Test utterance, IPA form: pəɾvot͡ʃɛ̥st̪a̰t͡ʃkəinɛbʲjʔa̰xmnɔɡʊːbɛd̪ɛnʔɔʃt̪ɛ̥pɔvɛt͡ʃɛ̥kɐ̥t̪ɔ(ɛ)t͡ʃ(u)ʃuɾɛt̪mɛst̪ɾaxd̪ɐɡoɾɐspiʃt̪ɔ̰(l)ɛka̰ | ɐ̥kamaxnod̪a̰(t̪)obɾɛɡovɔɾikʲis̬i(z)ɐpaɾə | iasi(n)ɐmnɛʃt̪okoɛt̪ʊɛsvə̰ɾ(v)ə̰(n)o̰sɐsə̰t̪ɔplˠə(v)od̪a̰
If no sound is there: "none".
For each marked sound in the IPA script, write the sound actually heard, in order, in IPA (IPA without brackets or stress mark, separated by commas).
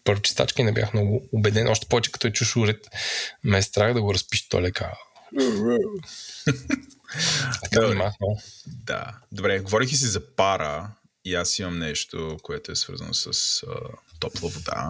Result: ɛ, u, l, d̪, z, m, z, n, v